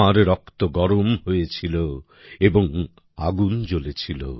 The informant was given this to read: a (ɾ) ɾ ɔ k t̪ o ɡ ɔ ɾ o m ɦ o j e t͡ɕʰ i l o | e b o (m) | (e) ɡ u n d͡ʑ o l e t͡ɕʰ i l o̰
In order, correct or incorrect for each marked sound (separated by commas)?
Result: correct, incorrect, incorrect